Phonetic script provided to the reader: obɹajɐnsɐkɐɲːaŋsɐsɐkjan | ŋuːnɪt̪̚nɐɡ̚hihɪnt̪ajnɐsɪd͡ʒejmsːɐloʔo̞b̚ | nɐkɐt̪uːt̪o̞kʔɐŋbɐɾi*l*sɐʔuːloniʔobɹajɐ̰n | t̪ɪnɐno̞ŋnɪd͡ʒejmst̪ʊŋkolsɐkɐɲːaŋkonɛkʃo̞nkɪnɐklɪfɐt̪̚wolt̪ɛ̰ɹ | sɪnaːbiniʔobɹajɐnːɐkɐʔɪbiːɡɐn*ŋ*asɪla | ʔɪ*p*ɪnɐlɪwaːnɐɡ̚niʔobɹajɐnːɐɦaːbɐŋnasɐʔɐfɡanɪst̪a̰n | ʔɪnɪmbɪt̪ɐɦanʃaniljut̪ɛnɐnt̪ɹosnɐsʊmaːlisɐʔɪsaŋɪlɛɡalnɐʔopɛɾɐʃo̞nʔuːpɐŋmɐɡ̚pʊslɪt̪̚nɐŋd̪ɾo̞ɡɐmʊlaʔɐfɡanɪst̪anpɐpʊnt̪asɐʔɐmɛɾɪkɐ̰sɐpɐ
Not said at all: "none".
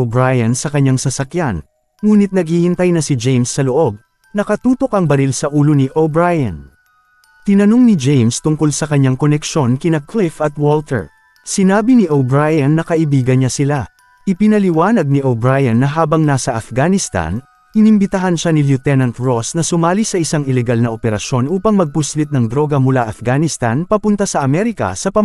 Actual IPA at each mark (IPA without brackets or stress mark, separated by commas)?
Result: l, ɲ, p